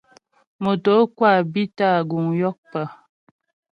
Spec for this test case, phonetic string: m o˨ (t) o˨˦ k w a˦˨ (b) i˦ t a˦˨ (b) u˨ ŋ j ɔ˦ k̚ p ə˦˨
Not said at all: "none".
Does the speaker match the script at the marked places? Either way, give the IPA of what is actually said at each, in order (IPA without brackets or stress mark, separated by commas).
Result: t, b, ɡ